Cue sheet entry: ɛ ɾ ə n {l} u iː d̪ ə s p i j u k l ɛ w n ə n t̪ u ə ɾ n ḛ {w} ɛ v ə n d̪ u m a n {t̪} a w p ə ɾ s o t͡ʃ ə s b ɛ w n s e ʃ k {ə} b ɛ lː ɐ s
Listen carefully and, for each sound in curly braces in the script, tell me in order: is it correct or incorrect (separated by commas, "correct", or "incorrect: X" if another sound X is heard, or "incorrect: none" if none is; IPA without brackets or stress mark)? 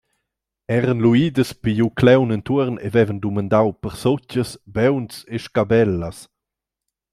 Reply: correct, incorrect: v, incorrect: d̪, incorrect: a